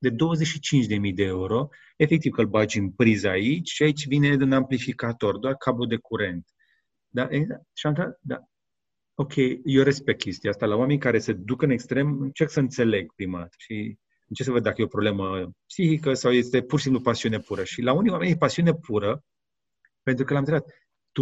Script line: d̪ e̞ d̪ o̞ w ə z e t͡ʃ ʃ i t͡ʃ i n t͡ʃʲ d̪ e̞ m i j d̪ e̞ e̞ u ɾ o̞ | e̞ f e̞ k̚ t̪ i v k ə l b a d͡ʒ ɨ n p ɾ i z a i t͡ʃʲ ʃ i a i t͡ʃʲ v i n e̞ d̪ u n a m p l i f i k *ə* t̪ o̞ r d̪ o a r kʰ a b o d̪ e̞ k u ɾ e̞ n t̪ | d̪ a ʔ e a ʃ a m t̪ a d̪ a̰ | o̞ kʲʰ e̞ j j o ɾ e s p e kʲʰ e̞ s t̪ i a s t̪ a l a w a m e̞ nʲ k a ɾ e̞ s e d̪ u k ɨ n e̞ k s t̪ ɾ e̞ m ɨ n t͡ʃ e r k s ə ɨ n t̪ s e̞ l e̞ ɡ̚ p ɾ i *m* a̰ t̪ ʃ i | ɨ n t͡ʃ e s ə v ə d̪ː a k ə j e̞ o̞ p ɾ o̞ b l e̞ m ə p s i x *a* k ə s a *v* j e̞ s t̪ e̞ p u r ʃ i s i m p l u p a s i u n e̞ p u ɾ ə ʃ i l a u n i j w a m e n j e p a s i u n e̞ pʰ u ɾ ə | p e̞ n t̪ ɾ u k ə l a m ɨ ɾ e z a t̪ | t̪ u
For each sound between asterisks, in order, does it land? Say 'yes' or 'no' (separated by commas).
no, yes, no, no